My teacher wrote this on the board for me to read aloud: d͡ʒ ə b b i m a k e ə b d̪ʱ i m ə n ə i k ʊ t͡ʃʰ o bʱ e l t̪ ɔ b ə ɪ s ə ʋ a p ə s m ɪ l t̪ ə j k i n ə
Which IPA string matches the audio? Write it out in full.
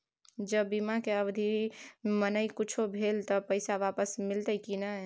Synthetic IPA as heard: d͡ʒ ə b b i m a k e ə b d̪ʱ i m ə n ə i k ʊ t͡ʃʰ o bʱ e l t̪ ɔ p ə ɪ s a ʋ a p ə s m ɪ l t̪ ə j k i n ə